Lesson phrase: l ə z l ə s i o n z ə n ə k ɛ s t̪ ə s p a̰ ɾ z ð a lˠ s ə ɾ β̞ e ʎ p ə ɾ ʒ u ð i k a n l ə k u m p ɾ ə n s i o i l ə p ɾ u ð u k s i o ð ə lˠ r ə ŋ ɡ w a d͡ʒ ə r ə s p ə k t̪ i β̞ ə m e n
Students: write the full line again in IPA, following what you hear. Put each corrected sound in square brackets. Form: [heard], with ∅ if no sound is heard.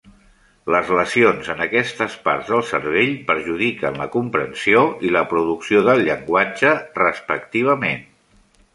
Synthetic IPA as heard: l ə z l ə s i o n z ə n ə k ɛ s t̪ ə s p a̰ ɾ z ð [ə] lˠ s ə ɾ β̞ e ʎ p ə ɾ ʒ u ð i k [ə] n l ə k u m p ɾ ə n s i o i l ə p ɾ u ð u k s i o ð ə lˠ [ʎ] ə ŋ ɡ w a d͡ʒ ə r ə s p ə k t̪ i β̞ ə m e n